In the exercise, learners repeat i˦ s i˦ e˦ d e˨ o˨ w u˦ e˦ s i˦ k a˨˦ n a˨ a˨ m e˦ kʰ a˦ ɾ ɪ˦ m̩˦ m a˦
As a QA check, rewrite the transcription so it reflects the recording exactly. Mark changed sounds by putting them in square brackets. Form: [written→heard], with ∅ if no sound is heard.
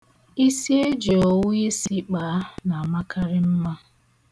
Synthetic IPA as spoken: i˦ s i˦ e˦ [d→d͡ʒ] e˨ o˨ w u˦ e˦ s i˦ [k→k͡p] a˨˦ n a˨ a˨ m [e˦→a˦] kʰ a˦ ɾ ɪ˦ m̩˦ m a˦